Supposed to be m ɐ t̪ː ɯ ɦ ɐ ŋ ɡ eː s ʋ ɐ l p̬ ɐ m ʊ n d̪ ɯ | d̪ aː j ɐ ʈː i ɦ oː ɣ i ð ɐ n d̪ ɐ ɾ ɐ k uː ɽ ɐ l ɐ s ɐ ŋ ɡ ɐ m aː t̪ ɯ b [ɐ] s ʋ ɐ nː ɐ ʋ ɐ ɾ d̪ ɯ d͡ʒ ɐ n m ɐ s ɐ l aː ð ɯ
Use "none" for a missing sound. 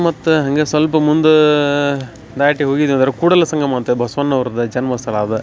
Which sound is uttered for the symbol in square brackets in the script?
ɐ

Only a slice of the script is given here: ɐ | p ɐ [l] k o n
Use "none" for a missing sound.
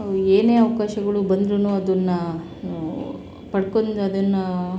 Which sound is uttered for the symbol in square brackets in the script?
ɽ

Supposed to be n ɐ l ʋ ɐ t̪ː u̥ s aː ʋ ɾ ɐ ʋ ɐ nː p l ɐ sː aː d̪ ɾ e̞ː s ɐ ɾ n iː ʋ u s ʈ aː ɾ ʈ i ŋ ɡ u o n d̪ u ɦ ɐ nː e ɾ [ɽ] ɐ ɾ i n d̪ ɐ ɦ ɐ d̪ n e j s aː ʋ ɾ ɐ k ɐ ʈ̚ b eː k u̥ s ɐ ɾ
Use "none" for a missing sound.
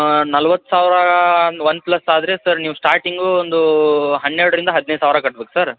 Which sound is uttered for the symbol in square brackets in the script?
ɽ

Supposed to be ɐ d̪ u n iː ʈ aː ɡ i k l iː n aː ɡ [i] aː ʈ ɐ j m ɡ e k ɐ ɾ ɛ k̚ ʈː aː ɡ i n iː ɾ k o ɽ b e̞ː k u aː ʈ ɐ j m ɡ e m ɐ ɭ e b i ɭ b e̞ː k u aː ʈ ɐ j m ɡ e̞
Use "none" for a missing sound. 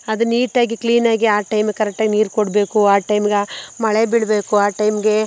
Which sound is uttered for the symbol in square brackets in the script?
i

